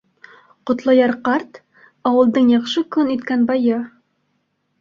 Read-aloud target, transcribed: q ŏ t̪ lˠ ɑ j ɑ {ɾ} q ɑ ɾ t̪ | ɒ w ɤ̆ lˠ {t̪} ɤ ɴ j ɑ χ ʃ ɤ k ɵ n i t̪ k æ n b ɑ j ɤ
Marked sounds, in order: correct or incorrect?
correct, incorrect

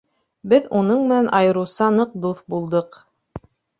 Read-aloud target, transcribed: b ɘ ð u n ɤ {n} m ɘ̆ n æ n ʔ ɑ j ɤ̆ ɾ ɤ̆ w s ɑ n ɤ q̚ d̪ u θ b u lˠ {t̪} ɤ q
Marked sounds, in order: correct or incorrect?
incorrect, incorrect

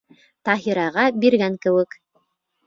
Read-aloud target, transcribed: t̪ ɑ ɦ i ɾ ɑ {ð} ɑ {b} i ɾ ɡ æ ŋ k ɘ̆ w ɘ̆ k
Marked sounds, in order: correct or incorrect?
incorrect, correct

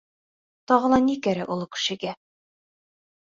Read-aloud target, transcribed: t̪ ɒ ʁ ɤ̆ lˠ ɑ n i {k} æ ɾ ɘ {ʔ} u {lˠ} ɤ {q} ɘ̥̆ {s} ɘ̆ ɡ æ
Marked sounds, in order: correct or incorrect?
correct, correct, correct, incorrect, incorrect

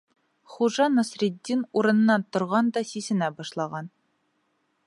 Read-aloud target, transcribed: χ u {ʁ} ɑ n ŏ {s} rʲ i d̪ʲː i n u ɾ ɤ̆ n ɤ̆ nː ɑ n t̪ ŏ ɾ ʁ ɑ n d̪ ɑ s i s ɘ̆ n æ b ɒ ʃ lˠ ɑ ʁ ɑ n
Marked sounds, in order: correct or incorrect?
incorrect, correct

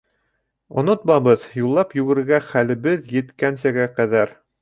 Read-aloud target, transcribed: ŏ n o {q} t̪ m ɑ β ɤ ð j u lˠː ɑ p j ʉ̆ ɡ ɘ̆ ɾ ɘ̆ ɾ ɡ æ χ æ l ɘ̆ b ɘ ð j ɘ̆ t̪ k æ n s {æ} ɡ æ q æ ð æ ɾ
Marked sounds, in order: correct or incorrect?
incorrect, correct

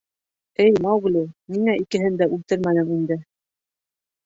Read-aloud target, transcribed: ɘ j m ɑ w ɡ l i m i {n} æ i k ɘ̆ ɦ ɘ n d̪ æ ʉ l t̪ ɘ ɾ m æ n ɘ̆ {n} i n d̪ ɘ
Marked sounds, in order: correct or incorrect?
incorrect, incorrect

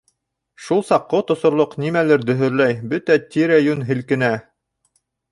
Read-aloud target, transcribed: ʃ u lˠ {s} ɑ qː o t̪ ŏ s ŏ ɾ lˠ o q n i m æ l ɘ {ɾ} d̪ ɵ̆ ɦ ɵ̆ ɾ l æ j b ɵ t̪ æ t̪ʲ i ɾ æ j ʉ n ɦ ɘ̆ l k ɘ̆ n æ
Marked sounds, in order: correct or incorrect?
correct, correct

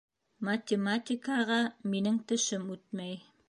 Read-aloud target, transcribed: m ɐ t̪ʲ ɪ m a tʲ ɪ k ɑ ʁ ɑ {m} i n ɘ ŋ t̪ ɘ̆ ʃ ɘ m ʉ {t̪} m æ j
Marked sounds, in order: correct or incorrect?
correct, correct

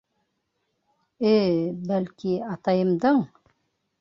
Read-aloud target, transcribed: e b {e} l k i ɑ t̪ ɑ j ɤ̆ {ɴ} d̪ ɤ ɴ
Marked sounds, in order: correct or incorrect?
incorrect, incorrect

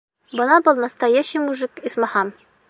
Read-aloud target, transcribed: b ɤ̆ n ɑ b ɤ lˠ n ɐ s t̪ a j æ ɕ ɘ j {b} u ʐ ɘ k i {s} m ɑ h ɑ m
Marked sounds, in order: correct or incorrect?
incorrect, correct

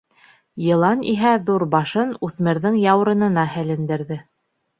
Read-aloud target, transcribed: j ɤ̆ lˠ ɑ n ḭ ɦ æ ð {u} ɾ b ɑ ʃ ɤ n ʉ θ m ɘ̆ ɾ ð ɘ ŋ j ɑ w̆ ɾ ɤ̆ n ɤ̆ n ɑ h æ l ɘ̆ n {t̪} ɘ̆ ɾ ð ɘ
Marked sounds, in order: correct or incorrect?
correct, incorrect

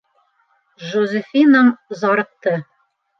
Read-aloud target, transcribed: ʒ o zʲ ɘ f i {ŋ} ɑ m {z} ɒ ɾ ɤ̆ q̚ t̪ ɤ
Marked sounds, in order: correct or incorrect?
incorrect, correct

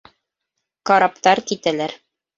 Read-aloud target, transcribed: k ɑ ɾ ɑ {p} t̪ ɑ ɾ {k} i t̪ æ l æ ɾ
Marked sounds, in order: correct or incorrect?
correct, correct

